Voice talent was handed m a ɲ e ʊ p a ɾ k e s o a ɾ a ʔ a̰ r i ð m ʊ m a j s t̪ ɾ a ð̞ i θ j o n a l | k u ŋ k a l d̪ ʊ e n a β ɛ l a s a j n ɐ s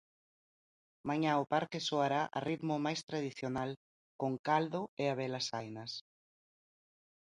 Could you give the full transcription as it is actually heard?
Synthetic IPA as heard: m a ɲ a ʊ p a ɾ k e s o a ɾ a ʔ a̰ r i ð m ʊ m a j s t̪ ɾ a ð̞ i θ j o n a l | k o ŋ k a l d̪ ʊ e a β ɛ l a s a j n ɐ s